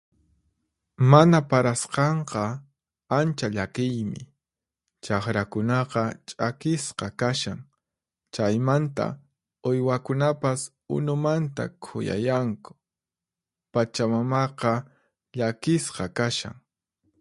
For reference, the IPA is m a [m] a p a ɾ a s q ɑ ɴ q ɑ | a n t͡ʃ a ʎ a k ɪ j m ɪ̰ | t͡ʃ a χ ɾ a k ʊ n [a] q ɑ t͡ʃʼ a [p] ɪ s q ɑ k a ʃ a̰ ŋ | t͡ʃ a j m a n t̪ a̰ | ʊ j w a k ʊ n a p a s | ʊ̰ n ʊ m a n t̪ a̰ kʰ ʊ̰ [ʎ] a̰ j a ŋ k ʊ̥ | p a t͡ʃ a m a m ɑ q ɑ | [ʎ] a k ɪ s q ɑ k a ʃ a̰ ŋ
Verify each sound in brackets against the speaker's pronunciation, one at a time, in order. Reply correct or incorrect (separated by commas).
incorrect, incorrect, incorrect, incorrect, correct